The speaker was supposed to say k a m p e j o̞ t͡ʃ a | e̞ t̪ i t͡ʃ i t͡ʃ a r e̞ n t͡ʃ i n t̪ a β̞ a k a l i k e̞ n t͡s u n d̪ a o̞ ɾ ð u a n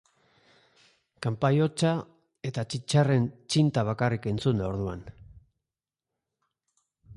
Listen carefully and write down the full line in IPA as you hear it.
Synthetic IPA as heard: k a m p a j o̞ t͡ʃ a | e̞ t̪ a t͡ʃ i t͡ʃ a r e̞ n t͡ʃ i n t̪ a β̞ a k a r i k e̞ n t͡s u n d̪ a o̞ ɾ ð u a n